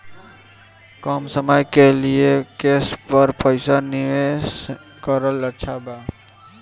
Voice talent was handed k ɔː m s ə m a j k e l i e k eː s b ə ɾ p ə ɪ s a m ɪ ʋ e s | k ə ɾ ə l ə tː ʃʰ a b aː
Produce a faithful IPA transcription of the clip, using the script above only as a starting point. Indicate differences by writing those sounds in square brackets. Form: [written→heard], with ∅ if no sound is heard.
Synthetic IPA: k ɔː m s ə m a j k e l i e k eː s [b→p] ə ɾ p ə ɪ s a [m→n] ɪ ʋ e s | k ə ɾ ə l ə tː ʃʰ a b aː